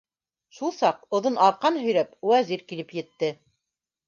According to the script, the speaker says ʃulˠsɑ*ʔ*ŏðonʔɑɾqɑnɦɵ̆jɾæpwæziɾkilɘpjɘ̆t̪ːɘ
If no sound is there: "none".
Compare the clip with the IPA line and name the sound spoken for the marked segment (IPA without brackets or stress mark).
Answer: q